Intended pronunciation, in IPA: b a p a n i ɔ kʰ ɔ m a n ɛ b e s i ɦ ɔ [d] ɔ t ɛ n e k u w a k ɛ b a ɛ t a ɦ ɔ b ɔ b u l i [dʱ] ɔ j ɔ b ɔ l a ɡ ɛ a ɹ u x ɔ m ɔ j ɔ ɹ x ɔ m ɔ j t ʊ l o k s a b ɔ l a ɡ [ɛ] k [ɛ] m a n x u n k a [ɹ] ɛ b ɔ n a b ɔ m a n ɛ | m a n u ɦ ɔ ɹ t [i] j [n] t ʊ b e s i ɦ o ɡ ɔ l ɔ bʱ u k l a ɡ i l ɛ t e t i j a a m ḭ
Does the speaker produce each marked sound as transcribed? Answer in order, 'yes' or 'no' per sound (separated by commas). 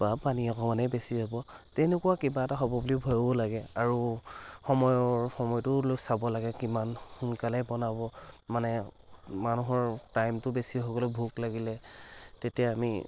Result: no, no, yes, no, no, no, no